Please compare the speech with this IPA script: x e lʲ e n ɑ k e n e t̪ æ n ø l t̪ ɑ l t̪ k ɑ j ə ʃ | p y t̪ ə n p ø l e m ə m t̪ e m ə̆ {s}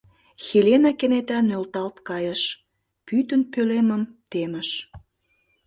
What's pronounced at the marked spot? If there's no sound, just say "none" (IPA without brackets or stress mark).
ʃ